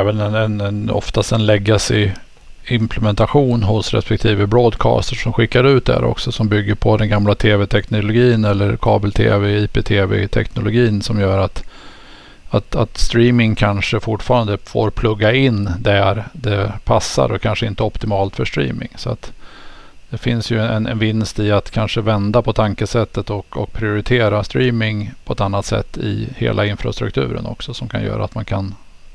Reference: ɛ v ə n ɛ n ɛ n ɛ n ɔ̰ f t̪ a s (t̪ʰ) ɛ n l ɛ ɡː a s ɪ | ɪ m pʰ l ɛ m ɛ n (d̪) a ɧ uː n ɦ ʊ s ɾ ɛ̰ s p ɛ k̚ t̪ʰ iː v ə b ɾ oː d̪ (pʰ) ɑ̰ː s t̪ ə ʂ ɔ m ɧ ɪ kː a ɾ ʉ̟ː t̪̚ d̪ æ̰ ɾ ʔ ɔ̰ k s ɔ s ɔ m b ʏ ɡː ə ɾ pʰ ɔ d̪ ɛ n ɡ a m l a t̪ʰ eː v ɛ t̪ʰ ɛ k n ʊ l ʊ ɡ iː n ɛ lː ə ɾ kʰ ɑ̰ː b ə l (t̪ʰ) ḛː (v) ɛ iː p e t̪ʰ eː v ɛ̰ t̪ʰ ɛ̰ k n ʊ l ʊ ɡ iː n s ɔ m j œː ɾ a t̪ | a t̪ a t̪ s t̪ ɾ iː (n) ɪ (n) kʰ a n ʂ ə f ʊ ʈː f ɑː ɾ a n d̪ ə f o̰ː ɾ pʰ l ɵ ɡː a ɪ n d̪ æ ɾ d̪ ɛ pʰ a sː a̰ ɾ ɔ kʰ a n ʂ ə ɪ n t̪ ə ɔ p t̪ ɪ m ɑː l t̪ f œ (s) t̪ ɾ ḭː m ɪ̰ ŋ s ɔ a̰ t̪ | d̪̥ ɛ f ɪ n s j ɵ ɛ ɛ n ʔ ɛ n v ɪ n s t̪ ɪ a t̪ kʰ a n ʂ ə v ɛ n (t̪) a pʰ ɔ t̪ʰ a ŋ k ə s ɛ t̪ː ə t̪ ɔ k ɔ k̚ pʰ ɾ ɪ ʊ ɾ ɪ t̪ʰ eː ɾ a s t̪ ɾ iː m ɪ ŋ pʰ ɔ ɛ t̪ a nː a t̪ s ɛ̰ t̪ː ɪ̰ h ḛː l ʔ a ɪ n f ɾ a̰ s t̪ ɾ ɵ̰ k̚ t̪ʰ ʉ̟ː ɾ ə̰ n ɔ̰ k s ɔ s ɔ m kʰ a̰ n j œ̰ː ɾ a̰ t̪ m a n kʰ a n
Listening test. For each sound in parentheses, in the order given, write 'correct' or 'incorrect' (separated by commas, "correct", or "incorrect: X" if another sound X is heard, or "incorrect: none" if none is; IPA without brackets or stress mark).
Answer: incorrect: t̪, incorrect: t̪, incorrect: kʰ, correct, correct, incorrect: m, incorrect: ŋ, incorrect: ʂ, incorrect: d̪